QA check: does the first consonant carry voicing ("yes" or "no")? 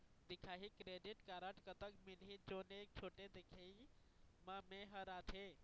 yes